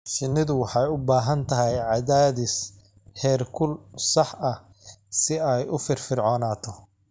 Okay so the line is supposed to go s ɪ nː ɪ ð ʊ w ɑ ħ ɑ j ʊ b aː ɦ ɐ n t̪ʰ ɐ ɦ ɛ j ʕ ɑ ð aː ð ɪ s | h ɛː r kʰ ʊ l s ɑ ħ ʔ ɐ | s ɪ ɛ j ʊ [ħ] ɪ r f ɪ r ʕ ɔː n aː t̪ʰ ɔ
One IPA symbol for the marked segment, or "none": f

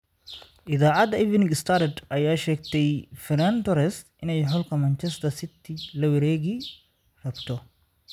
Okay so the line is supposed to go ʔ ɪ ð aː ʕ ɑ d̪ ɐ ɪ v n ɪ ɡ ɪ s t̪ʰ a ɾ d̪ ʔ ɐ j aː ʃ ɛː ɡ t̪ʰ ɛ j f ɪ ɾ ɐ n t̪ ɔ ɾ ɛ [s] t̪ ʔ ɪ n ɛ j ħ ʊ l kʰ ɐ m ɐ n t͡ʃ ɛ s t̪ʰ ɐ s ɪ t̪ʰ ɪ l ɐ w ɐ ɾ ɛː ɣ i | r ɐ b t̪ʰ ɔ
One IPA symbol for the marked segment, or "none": s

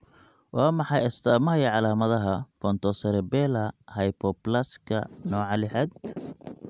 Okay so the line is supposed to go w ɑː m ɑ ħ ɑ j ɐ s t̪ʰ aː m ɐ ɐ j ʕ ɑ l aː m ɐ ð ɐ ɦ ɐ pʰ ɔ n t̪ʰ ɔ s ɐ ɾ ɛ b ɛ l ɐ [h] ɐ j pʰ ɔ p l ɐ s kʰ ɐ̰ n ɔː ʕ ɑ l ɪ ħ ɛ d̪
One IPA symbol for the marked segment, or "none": h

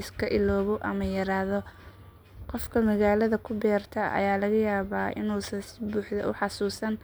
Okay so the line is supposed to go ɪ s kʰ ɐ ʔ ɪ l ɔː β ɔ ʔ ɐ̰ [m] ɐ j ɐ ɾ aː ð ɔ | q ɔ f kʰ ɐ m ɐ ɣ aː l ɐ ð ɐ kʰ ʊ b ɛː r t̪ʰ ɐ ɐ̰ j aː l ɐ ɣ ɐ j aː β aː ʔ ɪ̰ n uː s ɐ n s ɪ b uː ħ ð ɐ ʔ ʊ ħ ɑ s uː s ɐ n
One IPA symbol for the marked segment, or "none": m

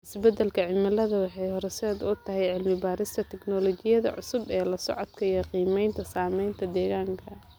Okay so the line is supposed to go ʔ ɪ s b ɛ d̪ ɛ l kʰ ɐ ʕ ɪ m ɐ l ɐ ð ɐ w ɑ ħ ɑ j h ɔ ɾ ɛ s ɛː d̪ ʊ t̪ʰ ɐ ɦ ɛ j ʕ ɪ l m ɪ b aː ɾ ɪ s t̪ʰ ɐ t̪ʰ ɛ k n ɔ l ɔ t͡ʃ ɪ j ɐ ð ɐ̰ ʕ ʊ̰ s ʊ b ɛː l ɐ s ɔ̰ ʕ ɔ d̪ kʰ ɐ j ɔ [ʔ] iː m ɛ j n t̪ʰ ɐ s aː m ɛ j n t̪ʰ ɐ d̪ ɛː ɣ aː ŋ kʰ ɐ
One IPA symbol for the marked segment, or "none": q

